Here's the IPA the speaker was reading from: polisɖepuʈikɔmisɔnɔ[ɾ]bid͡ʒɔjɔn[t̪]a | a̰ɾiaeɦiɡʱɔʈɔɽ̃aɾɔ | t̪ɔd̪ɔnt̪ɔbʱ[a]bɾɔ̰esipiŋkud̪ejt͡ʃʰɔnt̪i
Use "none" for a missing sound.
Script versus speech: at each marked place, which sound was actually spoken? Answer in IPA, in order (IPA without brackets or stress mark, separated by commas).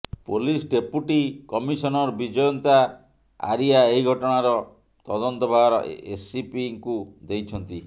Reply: ɾ, t̪, a